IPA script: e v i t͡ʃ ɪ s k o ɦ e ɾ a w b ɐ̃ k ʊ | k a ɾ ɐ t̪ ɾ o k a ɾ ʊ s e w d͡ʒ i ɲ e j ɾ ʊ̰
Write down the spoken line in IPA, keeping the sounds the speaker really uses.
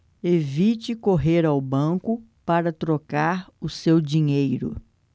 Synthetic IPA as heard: e v i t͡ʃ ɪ k o ɦ e ɾ a w b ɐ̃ k ʊ | p a ɾ ɐ t̪ ɾ o k a ɾ ʊ s e w d͡ʒ i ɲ e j ɾ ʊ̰